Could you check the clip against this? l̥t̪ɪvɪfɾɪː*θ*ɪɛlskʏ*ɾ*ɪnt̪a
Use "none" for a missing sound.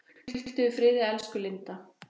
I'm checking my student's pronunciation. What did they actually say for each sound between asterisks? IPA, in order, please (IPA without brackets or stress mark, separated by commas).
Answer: ð, l